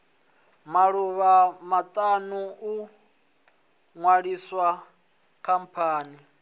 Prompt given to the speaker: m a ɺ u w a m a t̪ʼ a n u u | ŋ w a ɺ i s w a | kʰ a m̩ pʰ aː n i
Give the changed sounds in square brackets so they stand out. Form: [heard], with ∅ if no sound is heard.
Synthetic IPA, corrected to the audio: m a ɺ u [β] a m a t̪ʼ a n u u | ŋ w a ɺ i s w a | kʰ a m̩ pʰ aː n i